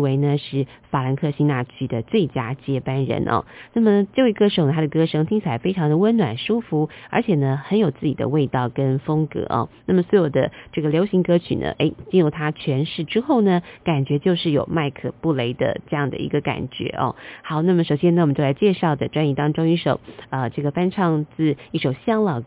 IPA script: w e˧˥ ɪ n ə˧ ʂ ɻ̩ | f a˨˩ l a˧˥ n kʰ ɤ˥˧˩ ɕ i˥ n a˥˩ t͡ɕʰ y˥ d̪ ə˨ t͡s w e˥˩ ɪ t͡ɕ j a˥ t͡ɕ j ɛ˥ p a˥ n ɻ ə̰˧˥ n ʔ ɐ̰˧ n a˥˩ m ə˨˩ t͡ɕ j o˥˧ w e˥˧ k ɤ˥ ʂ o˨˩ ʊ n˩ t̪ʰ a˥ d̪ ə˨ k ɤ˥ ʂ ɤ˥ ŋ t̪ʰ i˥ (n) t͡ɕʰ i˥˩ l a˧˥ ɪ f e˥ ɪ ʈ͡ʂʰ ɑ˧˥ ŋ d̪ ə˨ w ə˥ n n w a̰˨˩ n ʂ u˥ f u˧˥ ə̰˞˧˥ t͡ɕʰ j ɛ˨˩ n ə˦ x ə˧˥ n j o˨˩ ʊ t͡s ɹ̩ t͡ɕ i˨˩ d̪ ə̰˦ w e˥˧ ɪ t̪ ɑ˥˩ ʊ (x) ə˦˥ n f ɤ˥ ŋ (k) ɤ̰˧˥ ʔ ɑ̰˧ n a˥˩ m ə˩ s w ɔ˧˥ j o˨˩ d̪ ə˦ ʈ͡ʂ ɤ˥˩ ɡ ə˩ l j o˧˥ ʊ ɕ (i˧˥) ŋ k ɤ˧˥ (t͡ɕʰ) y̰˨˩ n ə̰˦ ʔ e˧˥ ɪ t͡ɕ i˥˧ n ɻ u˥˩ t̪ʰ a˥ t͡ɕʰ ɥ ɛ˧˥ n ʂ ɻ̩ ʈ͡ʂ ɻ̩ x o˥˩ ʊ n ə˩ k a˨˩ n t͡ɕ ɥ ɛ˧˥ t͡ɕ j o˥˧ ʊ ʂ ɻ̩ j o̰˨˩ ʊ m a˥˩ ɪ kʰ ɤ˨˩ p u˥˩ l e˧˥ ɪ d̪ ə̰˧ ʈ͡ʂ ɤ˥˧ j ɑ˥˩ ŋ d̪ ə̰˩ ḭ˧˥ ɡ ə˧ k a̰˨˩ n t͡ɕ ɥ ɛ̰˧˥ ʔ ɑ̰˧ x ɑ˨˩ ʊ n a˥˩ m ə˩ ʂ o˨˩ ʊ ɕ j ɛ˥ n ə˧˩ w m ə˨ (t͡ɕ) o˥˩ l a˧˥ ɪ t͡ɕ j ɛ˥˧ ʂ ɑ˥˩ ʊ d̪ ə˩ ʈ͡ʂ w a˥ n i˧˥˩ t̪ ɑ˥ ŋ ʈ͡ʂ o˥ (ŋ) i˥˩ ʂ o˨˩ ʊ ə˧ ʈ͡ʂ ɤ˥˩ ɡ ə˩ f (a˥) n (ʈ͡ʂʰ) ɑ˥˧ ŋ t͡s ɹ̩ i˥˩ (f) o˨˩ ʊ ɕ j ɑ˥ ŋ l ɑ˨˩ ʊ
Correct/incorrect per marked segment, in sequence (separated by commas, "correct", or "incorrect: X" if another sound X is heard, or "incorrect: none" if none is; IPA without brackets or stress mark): incorrect: ŋ, incorrect: k, correct, correct, correct, correct, correct, correct, correct, incorrect: ʂ